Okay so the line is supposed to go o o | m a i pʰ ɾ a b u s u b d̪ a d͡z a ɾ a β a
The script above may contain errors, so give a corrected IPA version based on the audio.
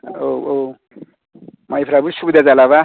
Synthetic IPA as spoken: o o | m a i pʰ ɾ a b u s u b d̪ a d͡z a l a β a